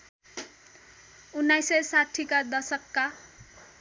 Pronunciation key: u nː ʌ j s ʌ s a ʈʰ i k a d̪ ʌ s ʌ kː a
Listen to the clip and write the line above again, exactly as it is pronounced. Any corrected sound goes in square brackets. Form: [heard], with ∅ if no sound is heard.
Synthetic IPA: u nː [a] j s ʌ s a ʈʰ i k a d̪ ʌ s ʌ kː a